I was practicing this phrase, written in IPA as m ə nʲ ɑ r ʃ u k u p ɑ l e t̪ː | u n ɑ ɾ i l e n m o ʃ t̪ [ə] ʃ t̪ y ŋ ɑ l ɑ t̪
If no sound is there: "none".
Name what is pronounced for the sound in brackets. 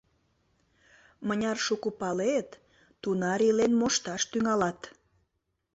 ɑ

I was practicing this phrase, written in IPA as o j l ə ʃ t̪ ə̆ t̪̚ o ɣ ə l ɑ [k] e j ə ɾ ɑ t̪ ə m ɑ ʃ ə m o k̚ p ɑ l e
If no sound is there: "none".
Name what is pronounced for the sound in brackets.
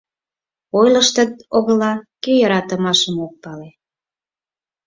k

